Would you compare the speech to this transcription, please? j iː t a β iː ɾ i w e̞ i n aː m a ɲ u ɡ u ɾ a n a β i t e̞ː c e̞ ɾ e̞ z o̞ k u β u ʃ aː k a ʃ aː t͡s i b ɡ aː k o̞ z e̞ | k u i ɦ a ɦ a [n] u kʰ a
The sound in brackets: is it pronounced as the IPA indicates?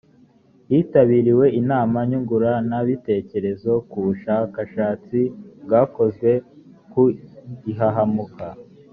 no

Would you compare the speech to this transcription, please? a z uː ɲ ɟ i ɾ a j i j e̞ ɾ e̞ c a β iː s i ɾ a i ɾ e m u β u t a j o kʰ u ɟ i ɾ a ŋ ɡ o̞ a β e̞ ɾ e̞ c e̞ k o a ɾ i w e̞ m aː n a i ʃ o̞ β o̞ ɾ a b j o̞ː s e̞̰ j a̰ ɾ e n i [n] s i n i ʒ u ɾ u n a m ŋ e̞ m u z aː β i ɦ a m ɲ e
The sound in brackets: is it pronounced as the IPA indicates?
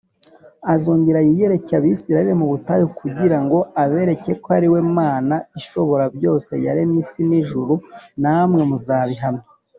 no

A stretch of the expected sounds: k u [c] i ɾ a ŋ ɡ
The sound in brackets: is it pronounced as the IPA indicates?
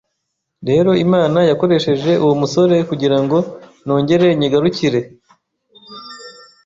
no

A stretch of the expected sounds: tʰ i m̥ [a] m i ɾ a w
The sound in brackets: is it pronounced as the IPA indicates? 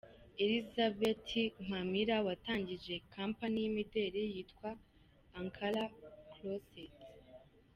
yes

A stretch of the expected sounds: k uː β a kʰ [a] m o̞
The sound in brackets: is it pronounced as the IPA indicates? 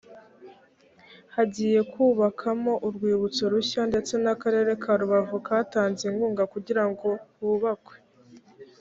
yes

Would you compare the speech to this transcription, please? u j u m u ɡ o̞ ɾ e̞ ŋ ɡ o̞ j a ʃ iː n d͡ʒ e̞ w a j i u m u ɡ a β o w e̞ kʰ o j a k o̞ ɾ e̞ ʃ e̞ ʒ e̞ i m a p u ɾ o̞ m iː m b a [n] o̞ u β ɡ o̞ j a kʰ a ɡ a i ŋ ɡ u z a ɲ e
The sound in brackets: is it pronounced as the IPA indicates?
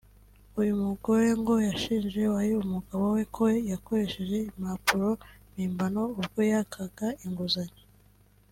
yes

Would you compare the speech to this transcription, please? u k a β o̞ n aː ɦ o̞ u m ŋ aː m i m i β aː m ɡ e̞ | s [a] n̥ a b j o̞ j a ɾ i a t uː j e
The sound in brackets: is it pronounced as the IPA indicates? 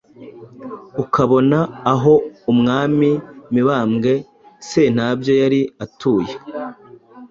no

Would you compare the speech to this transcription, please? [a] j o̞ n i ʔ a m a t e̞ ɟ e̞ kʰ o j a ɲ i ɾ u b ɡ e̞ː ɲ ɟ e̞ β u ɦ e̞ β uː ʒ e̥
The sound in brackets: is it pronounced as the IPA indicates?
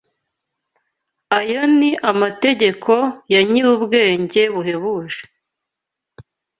yes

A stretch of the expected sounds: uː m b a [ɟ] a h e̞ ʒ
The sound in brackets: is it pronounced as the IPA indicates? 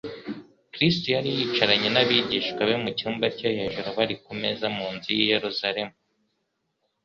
no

